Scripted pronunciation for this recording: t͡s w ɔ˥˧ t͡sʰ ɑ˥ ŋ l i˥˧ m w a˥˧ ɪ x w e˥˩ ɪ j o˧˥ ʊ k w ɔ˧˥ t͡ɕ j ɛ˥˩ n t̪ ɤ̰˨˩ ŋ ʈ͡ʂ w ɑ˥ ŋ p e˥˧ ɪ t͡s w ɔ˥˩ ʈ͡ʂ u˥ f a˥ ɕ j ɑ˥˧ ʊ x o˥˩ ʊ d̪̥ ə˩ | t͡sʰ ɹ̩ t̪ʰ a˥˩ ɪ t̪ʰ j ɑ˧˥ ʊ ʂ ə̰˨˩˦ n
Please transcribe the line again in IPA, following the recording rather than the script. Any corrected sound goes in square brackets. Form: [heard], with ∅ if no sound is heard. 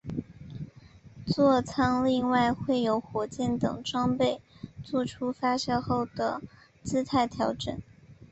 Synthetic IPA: t͡s w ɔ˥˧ t͡sʰ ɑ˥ ŋ l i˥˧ [ŋ] w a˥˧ ɪ x w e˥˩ ɪ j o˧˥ ʊ [x] w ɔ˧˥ t͡ɕ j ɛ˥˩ n t̪ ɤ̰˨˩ ŋ ʈ͡ʂ w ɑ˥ ŋ p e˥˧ ɪ t͡s w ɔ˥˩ [ʈ͡ʂʰ] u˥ f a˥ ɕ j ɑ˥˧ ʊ x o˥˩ ʊ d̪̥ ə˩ | [t͡s] ɹ̩ t̪ʰ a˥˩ ɪ t̪ʰ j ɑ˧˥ ʊ [ʈ͡ʂ] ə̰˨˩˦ n